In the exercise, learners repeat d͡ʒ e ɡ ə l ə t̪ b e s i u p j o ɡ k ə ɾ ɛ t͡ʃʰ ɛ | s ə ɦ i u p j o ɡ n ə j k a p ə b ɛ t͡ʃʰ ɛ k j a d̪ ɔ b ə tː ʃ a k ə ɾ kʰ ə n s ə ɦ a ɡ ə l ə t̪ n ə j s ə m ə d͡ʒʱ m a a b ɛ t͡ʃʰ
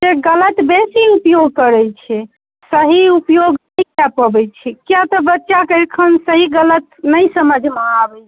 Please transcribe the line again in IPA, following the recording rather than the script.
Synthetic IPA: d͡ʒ e ɡ ə l ə t̪ b e s i u p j o ɡ k ə ɾ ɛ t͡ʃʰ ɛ | s ə ɦ i u p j o ɡ n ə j k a p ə b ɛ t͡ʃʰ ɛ k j a t̪ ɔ b ə tː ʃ a k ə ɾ kʰ ə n s ə ɦ i ɡ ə l ə t̪ n ə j s ə m ə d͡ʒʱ m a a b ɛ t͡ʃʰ